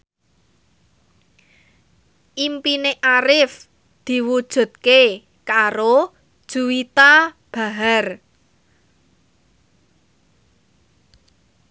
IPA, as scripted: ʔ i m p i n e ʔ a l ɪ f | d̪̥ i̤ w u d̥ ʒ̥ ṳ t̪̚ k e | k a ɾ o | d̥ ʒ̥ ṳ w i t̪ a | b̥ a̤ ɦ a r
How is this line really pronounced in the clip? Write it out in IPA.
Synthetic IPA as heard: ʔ i m p i n e ʔ a ɾ ɪ f | d̪̥ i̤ w u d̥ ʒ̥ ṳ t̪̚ k e | k a ɾ o | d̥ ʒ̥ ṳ w i t̪ a | b̥ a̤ ɦ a r